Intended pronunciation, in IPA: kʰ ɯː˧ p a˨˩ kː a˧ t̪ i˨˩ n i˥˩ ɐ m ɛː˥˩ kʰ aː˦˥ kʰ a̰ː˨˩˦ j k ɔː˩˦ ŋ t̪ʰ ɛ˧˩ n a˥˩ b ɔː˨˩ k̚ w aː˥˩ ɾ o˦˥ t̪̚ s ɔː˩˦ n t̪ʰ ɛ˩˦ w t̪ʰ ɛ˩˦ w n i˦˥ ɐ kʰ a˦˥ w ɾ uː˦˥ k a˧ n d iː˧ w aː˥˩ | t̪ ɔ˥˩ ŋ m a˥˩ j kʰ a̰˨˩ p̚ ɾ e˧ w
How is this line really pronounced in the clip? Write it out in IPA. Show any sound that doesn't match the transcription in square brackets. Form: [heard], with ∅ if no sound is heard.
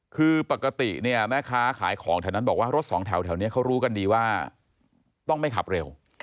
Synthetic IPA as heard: kʰ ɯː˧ p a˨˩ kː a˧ t̪ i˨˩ n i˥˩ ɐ m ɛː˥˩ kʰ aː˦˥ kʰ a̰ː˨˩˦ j [kʰ] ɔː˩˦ ŋ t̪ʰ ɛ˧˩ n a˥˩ b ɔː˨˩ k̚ w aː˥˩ ɾ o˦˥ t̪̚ s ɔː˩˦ [ŋ] t̪ʰ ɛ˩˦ w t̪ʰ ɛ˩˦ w n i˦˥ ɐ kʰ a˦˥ w ɾ uː˦˥ k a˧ n d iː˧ w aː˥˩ | t̪ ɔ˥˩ ŋ m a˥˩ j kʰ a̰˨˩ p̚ ɾ e˧ w